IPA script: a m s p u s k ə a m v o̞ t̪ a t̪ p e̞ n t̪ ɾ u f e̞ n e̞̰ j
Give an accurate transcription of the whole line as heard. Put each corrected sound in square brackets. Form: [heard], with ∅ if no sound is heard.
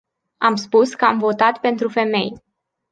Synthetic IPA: a m s p u s k ə a m v o̞ t̪ a t̪ p e̞ n t̪ ɾ u f e̞ [m] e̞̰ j

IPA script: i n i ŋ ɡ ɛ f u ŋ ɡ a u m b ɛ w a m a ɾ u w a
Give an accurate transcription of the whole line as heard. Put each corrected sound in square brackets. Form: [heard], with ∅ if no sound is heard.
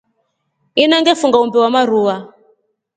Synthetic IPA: i n [a] ŋ ɡ ɛ f u ŋ ɡ a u m b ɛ w a m a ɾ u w a

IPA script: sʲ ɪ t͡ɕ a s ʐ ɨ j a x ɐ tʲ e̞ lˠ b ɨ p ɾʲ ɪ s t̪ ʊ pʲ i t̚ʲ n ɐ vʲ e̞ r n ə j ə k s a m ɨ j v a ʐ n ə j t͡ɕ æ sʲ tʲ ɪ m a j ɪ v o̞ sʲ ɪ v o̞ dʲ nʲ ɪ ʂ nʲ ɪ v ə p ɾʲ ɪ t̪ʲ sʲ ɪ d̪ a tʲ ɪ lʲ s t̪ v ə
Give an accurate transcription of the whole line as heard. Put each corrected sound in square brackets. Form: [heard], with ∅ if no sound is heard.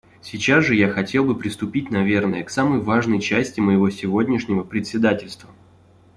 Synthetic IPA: sʲ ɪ t͡ɕ a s ʐ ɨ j a x ɐ tʲ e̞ lˠ b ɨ p ɾʲ ɪ s t̪ ʊ pʲ i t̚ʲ n ɐ vʲ e̞ r n ə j ə k s a m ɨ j v a ʐ n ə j t͡ɕ æ sʲ tʲ ɪ m [ə] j ɪ v o̞ sʲ ɪ v o̞ dʲ nʲ ɪ ʂ nʲ ɪ v ə p ɾʲ ɪ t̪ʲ sʲ ɪ d̪ a tʲ ɪ lʲ s t̪ v ə

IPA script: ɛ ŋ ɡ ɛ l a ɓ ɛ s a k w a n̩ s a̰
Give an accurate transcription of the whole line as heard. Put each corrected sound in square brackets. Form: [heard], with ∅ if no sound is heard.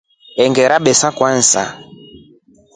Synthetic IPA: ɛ ŋ ɡ ɛ [ɾ] a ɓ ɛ s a k w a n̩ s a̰

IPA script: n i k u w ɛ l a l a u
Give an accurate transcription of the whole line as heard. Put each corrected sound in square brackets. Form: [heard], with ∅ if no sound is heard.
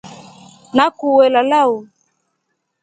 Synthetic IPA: n [a] k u w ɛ l a l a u

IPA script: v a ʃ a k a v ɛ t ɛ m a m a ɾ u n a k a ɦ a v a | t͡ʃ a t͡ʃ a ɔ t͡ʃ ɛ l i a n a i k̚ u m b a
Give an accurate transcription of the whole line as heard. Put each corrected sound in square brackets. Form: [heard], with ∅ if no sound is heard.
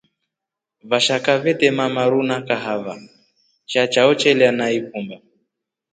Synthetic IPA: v a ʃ a k a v ɛ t ɛ m a m a ɾ u n a k a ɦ a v a | t͡ʃ a t͡ʃ a ɔ t͡ʃ ɛ l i a n a i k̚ u m b a

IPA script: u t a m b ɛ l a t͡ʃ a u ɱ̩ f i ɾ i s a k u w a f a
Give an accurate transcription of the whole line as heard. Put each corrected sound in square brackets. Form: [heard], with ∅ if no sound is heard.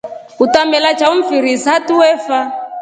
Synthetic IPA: u t a m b ɛ l a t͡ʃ a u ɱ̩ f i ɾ i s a [t] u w [ɛ] f a

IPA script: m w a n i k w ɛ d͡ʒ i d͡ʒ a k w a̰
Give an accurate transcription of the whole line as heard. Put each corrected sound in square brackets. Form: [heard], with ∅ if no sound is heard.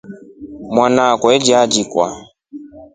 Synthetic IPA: m w a n [a] k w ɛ d͡ʒ [a] d͡ʒ [i] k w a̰

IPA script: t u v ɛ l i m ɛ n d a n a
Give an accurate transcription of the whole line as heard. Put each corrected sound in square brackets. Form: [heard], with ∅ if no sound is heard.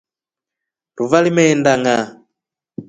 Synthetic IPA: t u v [a] l i m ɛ n d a [ŋ] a

